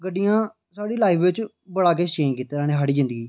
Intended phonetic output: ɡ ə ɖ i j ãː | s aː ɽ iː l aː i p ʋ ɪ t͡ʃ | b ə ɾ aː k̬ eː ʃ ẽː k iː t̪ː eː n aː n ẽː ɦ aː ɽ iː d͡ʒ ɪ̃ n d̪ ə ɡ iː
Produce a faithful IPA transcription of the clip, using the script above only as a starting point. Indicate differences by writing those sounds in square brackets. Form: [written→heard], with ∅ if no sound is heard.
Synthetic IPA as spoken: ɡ ə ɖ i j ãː | s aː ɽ iː l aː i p ʋ ɪ t͡ʃ | b ə [ɾ→ɽ] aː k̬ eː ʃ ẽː k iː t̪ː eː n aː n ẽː ɦ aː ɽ iː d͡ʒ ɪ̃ n d̪ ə ɡ iː